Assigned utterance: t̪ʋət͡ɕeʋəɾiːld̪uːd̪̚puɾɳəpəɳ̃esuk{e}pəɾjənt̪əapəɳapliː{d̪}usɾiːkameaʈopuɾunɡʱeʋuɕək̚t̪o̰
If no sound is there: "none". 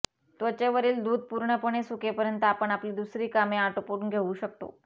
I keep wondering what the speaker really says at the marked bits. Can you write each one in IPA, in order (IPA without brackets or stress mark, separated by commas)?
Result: e, d̪